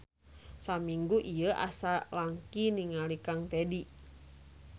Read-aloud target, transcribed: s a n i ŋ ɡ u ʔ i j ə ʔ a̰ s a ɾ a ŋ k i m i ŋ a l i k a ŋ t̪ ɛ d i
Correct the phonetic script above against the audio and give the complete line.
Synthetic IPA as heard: s a m i ŋ ɡ u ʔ i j ə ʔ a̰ s a l a ŋ k i n i ŋ a l i k a ŋ t̪ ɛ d i